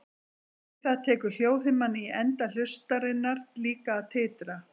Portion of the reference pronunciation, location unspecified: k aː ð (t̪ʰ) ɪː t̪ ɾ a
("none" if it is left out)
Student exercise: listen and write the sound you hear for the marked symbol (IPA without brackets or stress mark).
t̪ʰ